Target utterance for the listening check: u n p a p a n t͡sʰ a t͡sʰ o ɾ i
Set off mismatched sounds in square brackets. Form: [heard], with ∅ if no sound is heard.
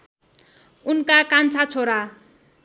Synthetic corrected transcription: u n [k] a [k] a n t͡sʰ a t͡sʰ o ɾ [a]